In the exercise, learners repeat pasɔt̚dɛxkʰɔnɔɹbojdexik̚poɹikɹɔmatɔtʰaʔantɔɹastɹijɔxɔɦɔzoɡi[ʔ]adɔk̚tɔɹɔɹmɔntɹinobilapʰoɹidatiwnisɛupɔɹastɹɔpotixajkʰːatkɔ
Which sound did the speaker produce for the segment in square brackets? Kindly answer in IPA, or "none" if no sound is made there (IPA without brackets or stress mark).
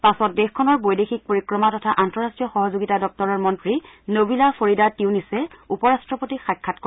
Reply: t